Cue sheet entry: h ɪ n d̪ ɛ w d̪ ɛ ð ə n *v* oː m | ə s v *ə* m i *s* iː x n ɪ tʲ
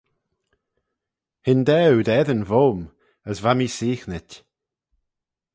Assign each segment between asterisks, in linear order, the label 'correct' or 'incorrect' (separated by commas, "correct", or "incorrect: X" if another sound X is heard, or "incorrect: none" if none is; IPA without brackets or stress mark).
correct, incorrect: a, correct